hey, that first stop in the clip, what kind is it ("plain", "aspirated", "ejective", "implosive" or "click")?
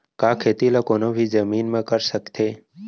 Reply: plain